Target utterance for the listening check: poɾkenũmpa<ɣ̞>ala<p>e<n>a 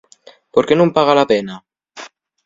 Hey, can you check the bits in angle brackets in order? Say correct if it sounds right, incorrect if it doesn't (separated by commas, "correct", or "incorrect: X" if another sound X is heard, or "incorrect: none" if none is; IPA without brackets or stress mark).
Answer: correct, correct, correct